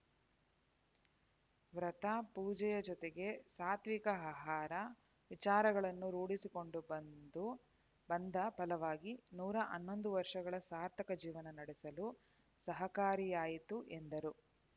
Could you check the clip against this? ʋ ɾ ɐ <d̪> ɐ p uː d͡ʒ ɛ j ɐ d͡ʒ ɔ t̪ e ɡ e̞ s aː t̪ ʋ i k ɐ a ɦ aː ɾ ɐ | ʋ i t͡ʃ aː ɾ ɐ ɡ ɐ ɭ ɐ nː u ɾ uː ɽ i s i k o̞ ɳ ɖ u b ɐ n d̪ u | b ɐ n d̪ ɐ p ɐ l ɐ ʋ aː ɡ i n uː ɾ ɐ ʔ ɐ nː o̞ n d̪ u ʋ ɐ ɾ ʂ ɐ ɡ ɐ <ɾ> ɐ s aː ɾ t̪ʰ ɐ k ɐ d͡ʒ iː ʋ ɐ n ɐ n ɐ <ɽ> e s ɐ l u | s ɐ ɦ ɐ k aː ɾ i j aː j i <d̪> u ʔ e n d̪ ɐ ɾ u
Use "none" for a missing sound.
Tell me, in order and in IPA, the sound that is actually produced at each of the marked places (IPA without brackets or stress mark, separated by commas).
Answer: t̪, ɭ, ɽ, t̪